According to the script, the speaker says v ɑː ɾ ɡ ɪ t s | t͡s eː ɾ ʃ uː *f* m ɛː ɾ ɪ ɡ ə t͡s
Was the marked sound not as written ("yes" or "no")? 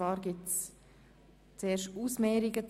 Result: yes